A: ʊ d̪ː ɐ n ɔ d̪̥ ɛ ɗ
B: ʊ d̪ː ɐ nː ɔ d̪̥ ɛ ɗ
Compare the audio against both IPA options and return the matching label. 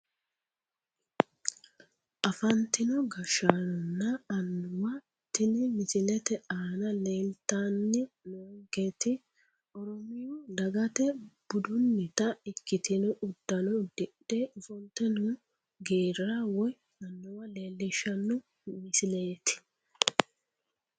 A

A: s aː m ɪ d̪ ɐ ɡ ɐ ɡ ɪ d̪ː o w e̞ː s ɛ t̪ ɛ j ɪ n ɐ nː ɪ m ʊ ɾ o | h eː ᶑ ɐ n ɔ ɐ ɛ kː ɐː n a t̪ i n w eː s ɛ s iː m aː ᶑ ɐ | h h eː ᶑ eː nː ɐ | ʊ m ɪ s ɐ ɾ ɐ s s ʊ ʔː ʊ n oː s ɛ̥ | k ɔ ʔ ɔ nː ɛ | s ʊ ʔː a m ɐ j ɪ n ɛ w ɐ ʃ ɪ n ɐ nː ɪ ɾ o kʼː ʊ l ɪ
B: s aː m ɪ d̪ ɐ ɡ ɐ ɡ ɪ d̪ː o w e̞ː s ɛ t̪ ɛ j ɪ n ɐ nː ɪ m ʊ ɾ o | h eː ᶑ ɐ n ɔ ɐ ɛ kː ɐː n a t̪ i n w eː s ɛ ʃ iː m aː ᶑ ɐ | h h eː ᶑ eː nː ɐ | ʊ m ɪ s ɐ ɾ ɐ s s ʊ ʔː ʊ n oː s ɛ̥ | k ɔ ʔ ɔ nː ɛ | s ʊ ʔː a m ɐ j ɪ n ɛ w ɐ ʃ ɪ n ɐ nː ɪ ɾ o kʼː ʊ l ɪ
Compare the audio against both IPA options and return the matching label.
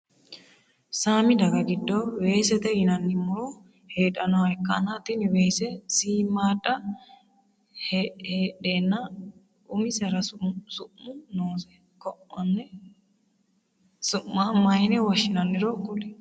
A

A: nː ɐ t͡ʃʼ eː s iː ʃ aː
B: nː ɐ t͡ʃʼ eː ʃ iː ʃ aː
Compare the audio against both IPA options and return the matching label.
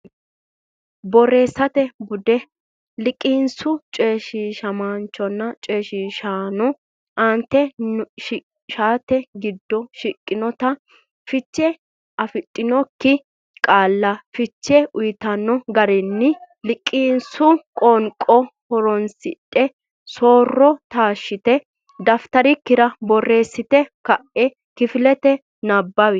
B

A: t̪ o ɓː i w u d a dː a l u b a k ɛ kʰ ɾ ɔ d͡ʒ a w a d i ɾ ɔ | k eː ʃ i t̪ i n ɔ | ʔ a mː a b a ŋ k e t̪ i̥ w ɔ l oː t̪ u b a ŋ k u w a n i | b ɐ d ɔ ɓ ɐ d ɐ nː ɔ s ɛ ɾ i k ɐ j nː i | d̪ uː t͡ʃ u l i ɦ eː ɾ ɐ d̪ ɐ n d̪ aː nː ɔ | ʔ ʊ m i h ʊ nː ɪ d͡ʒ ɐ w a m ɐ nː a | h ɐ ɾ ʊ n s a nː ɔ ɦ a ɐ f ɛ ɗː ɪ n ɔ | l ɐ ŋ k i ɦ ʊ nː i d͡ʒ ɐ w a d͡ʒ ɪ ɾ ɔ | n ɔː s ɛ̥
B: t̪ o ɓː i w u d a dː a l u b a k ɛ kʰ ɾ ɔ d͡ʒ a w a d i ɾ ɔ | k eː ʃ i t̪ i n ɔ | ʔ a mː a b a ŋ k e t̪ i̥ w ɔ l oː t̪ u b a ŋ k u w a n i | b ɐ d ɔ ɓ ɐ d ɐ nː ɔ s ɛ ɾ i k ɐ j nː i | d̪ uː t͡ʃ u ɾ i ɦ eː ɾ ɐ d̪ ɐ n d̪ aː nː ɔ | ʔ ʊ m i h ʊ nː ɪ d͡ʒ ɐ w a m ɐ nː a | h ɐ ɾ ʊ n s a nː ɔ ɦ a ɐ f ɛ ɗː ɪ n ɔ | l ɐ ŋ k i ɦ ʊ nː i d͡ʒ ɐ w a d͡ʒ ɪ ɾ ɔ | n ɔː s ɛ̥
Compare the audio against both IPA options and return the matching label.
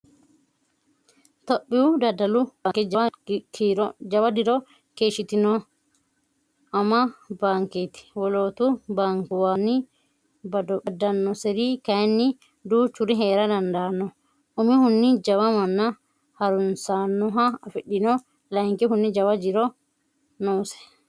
B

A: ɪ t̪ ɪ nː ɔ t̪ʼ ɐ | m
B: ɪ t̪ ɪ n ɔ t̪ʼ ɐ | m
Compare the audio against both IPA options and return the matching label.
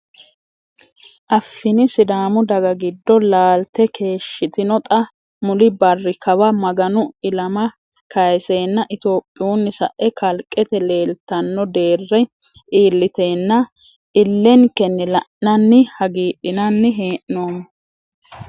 B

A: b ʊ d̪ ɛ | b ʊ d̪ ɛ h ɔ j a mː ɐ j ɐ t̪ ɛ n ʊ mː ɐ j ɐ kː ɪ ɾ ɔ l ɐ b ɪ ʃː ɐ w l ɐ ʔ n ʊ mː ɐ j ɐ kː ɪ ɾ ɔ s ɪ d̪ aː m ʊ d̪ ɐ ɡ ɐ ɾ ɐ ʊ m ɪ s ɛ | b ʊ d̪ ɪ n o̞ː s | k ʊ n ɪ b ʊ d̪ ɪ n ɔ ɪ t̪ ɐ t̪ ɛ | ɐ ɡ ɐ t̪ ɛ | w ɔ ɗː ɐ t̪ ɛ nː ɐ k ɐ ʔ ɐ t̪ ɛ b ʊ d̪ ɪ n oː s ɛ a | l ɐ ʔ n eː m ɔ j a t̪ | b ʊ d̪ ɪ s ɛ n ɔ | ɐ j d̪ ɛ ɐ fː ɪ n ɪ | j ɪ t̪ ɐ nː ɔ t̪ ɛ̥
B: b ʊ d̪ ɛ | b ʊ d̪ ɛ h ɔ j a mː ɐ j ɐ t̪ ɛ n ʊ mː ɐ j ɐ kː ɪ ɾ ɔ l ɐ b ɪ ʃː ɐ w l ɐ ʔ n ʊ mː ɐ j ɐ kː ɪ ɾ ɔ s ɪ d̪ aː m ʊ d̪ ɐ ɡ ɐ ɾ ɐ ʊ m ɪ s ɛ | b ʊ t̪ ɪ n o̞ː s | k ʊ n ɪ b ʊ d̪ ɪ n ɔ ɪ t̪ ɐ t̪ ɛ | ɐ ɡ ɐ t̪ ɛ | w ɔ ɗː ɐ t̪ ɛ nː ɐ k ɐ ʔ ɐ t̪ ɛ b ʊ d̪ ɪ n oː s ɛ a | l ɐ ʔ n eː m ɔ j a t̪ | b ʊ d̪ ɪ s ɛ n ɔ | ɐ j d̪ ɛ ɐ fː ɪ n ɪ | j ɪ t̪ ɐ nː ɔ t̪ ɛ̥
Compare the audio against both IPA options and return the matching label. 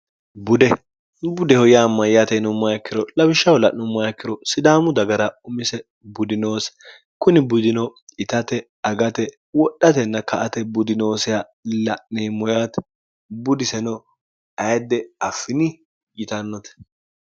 A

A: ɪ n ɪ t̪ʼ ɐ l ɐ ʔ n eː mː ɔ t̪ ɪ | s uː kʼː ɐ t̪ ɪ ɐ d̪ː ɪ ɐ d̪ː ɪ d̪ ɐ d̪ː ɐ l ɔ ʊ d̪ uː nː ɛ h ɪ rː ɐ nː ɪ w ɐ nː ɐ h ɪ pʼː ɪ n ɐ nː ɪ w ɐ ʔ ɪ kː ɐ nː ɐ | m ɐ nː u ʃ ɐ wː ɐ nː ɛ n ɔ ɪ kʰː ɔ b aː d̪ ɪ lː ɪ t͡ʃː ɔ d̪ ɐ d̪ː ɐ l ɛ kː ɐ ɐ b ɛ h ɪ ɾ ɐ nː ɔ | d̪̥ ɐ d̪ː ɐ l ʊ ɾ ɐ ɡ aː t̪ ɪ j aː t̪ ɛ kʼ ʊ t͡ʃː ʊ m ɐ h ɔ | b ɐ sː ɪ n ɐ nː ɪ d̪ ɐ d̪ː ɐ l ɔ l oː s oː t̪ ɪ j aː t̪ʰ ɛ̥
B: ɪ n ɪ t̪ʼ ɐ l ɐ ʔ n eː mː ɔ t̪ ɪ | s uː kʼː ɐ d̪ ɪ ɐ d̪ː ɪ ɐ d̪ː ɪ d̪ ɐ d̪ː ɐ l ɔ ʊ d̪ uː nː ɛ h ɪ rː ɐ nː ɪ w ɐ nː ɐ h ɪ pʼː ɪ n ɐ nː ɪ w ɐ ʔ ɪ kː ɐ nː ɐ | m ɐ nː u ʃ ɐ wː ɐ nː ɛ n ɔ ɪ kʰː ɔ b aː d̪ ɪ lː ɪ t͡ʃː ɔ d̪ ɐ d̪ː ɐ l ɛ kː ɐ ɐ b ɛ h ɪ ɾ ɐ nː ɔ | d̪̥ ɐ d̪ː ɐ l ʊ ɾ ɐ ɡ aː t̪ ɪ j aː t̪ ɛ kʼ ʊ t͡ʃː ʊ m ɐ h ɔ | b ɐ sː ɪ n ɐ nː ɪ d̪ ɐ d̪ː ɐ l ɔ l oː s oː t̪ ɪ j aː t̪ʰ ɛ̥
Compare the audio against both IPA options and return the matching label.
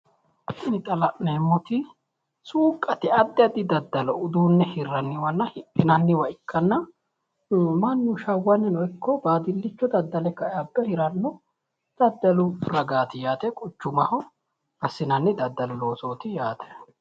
A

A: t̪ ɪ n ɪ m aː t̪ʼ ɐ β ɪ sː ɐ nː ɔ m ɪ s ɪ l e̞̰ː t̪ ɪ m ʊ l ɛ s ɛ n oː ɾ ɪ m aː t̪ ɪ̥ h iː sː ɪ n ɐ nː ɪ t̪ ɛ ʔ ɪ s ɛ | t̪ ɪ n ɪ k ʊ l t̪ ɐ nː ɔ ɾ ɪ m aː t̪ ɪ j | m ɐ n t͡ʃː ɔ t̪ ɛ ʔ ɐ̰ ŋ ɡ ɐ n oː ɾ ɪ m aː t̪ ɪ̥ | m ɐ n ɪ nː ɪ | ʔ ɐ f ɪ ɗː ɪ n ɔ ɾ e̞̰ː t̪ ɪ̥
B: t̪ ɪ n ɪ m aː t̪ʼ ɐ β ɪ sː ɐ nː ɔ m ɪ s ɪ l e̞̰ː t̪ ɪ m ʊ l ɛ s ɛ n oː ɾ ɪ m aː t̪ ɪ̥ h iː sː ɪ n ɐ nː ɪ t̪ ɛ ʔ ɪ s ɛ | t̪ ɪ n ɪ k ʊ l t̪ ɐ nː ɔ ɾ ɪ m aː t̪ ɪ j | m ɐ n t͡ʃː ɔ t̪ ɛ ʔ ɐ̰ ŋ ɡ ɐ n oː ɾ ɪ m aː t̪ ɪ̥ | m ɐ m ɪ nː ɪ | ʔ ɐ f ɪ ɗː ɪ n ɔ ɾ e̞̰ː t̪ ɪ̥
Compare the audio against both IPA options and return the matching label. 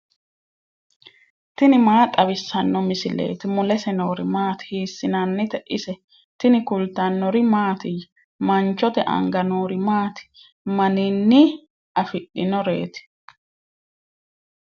A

